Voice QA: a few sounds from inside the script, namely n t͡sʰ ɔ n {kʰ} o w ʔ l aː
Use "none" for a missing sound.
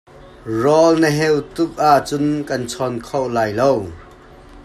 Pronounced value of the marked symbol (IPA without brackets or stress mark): kʰ